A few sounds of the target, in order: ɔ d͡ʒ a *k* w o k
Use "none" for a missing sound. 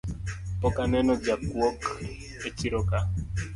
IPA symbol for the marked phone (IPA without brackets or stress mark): k